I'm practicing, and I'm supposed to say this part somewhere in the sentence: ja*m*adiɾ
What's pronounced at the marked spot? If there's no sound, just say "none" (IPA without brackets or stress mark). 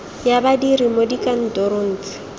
b